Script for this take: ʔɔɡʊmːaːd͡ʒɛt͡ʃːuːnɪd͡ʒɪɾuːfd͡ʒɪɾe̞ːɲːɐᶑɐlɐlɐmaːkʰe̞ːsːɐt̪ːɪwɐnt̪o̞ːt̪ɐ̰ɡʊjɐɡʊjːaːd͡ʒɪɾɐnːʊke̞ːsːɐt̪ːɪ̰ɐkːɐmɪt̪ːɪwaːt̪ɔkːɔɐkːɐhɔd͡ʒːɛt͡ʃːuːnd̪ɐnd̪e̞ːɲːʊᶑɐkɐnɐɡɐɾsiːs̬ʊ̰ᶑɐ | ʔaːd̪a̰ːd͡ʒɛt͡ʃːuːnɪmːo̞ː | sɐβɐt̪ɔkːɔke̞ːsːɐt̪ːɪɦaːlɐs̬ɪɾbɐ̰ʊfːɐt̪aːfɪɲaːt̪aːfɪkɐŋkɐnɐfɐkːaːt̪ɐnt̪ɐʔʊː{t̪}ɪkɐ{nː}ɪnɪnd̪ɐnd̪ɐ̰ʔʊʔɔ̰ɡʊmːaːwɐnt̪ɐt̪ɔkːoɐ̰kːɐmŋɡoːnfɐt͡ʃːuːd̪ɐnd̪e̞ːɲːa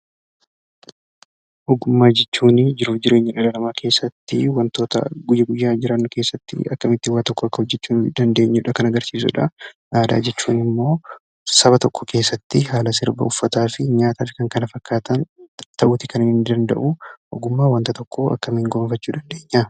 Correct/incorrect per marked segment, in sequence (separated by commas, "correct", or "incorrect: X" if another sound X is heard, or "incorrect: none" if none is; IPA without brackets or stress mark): correct, incorrect: n